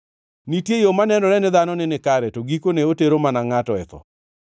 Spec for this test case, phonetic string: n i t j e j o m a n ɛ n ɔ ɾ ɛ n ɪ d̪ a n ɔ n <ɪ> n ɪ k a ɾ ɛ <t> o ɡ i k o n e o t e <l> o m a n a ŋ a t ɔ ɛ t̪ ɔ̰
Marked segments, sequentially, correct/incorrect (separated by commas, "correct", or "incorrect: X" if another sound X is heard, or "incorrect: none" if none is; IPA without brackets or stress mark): correct, correct, incorrect: ɾ